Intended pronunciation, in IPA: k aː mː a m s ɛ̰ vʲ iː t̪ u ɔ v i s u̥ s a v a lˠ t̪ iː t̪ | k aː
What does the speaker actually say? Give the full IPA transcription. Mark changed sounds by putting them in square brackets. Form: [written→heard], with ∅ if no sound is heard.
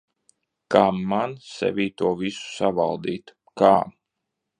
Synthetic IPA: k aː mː a [m→n] s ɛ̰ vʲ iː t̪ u ɔ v i s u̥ s a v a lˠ [t̪→d̪] iː t̪ | k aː